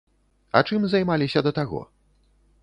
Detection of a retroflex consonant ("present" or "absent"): present